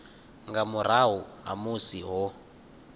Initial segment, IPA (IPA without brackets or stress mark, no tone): ŋ